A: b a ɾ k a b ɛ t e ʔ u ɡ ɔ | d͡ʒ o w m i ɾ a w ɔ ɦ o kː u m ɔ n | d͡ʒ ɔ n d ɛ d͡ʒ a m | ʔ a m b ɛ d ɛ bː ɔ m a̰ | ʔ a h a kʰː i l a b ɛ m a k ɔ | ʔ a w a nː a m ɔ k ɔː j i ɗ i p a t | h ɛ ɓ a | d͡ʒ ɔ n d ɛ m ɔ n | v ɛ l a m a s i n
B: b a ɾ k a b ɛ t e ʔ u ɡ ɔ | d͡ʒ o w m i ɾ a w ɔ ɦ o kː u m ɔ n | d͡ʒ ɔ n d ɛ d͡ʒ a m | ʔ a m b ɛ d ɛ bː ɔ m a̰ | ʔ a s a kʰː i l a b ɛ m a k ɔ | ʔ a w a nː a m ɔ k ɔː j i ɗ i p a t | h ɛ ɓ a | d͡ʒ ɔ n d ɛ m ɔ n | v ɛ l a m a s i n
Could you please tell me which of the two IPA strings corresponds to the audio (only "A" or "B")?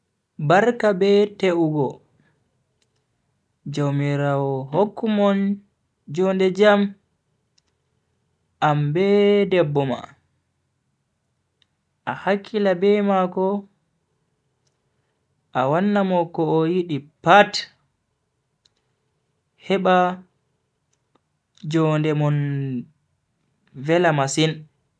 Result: A